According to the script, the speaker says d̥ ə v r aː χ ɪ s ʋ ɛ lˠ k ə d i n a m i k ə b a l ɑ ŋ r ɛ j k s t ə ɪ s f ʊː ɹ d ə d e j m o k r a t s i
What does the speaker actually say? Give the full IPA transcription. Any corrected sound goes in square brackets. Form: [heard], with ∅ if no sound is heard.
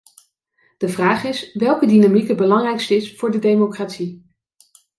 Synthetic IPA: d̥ ə v r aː χ ɪ s ʋ ɛ lˠ k ə d i n a m i k ə b [ə] l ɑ ŋ r ɛ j k s t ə ɪ s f ʊː ɹ d ə d e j m o k r a t s i